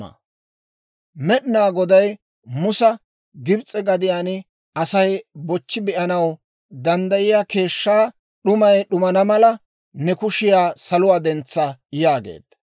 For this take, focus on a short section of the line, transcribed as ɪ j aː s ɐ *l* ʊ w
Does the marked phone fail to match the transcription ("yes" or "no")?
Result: no